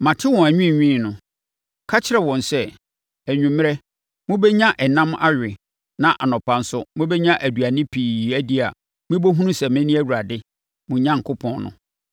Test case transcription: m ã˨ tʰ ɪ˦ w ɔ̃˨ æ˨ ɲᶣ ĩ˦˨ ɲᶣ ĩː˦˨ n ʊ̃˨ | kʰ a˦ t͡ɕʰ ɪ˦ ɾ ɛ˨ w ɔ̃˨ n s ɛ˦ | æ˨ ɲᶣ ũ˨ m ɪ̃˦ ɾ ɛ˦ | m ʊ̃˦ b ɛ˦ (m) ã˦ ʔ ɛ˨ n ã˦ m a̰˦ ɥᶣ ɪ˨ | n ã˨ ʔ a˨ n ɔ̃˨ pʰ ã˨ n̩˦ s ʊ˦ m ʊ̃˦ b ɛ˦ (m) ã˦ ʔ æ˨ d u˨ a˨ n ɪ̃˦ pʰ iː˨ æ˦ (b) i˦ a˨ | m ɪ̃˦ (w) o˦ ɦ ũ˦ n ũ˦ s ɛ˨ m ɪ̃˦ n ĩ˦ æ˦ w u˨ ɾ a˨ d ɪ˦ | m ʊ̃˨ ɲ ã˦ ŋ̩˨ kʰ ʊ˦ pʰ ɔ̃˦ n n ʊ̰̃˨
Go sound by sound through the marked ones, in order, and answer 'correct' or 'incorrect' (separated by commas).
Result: incorrect, incorrect, incorrect, incorrect